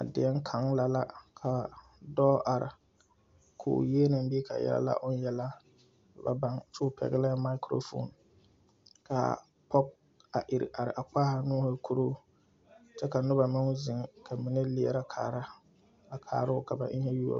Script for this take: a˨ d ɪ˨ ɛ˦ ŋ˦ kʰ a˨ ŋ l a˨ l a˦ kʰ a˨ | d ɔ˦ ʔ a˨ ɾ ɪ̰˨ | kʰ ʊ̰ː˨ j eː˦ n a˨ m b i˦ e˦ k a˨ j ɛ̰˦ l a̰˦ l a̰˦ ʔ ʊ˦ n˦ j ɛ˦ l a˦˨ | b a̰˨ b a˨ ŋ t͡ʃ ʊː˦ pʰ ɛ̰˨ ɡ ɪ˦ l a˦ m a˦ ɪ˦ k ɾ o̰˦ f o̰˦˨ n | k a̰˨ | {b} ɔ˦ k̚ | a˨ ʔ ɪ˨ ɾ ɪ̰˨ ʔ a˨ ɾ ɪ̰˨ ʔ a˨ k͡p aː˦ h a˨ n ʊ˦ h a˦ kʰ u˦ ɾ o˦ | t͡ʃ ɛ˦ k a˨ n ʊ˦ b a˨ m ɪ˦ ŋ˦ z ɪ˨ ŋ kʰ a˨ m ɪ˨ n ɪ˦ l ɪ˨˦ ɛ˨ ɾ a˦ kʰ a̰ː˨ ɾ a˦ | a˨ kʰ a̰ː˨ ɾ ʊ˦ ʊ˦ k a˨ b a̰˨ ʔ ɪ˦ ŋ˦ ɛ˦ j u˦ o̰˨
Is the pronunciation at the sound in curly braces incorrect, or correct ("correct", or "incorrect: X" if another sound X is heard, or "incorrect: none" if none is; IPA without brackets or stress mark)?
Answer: incorrect: p